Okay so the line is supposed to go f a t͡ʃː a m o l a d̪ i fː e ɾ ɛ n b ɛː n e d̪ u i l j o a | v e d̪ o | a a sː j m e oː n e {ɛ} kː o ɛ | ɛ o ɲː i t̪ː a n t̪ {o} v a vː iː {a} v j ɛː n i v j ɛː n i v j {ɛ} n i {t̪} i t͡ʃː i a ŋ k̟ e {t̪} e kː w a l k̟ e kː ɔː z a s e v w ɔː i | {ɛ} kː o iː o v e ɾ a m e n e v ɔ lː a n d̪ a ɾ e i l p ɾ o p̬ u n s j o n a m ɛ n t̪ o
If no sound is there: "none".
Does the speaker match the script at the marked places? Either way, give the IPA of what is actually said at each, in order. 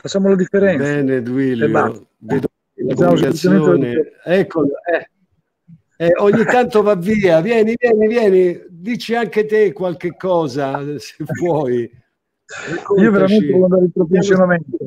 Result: ɛ, o, a, ɛː, d̪, t̪, ɛ

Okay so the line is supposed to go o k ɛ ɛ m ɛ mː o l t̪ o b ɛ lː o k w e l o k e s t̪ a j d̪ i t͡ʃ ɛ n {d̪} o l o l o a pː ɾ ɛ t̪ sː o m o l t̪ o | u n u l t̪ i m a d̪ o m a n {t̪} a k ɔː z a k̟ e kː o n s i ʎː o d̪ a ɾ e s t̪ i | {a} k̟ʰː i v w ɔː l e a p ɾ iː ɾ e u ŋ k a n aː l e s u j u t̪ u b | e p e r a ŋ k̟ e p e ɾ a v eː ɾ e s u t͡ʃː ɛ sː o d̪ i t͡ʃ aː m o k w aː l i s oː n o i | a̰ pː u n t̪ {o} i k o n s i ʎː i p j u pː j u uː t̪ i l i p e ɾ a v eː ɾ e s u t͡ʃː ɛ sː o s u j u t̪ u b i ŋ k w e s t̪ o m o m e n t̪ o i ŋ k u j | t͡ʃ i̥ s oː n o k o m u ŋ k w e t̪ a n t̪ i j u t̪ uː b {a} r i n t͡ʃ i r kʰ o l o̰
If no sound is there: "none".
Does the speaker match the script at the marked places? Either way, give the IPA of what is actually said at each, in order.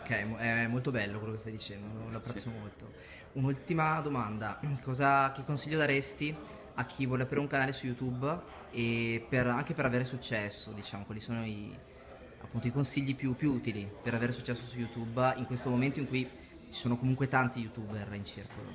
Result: d̪, d̪, a, o, e

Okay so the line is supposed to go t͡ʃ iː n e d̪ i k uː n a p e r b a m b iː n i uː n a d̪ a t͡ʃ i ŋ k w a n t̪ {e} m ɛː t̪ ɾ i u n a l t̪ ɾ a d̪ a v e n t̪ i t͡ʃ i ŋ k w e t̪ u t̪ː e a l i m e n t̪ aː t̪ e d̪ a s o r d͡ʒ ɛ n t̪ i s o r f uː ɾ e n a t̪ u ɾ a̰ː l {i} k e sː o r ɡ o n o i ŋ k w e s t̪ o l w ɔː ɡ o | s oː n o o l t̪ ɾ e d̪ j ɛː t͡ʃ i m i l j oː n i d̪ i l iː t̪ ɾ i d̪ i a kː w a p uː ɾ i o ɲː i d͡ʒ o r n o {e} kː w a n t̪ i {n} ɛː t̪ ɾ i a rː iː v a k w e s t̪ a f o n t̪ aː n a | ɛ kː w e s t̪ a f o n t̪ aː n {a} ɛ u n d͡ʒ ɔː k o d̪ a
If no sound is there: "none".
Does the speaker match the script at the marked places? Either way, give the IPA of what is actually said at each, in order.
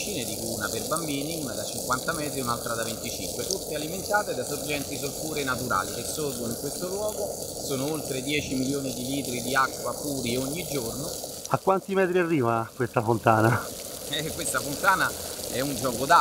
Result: a, i, a, m, a

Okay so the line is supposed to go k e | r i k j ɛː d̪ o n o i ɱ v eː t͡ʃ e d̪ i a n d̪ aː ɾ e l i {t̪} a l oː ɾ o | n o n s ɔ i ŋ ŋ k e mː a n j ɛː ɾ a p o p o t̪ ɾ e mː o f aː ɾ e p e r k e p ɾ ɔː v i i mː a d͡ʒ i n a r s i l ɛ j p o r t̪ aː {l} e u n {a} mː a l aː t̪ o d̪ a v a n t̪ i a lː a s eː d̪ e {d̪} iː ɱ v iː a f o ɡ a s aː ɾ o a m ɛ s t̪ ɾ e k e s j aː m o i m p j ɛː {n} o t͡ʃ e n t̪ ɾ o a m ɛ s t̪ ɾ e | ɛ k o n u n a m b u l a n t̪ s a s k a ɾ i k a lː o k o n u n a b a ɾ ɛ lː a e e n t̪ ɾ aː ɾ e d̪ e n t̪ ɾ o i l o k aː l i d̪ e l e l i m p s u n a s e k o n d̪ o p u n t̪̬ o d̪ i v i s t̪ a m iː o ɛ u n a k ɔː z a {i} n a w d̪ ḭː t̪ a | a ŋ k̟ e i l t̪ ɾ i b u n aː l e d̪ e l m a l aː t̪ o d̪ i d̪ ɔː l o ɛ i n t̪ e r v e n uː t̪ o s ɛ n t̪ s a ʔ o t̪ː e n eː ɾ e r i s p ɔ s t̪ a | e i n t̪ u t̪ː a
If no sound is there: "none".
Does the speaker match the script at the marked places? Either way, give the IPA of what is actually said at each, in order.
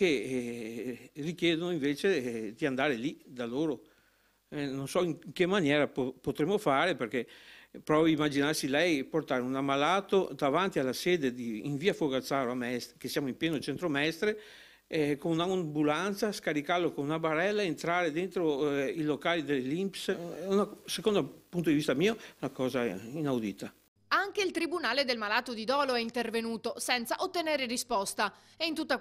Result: d̪, ɾ, a, d̪, n, i

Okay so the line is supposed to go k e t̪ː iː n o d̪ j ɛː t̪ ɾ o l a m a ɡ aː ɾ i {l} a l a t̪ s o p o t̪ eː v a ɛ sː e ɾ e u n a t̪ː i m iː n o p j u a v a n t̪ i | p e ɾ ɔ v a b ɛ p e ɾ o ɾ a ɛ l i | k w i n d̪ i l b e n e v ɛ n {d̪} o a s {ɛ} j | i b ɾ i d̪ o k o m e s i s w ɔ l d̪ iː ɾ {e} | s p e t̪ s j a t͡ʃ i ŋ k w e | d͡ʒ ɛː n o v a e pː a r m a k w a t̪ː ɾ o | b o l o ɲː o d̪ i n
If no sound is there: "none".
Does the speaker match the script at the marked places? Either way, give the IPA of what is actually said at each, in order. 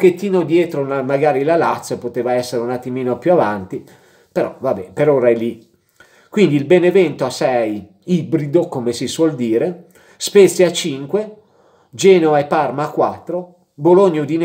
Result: l, t̪, ɛ, e

